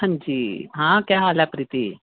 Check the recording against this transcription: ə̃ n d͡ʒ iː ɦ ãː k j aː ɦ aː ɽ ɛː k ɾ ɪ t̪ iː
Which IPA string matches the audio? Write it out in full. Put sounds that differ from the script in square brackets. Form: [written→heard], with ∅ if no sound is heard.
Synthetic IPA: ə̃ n d͡ʒ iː ɦ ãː k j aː ɦ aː [ɽ→l] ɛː [k→p] ɾ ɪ t̪ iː